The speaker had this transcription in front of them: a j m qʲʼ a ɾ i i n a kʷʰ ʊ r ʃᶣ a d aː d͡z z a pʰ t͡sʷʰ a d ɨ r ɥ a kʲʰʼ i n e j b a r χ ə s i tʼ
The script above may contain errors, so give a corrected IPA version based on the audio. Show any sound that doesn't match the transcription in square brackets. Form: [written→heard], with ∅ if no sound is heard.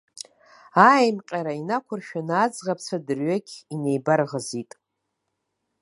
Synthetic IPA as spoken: a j m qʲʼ a ɾ [i→a] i n a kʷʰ ʊ r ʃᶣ a [d→n] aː d͡z [z→ʁ] a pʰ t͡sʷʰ a d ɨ r ɥ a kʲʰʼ i n e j b a r [χ→ʁ] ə [s→z] i tʼ